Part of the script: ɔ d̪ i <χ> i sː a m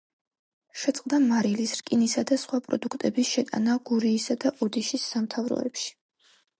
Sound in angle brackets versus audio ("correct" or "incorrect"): incorrect